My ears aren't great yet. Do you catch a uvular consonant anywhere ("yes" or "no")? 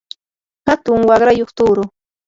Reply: yes